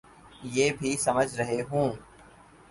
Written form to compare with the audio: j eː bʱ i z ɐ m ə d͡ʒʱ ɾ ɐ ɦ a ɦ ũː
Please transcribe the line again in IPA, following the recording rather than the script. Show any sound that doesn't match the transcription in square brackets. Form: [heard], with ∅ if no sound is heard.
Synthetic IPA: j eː bʱ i [s] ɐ m ə d͡ʒʱ ɾ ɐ ɦ [e] ɦ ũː